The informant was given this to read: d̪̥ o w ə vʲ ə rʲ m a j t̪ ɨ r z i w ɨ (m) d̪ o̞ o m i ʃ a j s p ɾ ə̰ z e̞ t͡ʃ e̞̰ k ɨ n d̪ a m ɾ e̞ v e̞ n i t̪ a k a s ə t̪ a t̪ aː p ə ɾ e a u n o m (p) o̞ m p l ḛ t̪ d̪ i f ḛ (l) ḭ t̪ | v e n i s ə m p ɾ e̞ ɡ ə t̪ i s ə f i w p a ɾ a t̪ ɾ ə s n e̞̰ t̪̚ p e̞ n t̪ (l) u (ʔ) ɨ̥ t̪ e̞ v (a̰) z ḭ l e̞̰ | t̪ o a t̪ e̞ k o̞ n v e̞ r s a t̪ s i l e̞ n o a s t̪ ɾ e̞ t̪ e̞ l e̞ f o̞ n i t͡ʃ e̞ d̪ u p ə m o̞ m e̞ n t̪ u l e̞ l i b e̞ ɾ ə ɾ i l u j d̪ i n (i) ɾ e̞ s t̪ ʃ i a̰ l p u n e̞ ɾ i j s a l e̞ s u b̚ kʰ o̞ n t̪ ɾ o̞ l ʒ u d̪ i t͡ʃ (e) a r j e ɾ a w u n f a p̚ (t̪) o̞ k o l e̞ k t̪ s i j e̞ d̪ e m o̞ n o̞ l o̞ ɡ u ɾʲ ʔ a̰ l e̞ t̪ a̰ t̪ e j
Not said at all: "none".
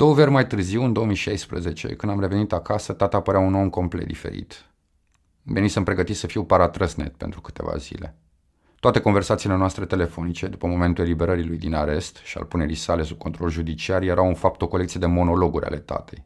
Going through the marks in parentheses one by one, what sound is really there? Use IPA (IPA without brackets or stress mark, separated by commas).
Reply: n, k, ɾ, ɾ, k, a̰, a, i, t̪